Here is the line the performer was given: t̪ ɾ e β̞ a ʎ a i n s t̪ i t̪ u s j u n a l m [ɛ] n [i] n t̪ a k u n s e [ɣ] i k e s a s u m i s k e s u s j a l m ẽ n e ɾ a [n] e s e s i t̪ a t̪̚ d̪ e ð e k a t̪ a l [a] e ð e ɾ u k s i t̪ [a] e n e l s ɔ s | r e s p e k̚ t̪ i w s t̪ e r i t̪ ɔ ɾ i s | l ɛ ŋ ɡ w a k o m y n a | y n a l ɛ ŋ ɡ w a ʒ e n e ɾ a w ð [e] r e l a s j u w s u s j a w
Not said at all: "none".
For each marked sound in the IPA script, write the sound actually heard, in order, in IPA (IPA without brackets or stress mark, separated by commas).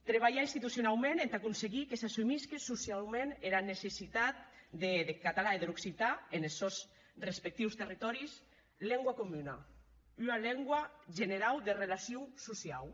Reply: e, e, ɣ, n, a, a, e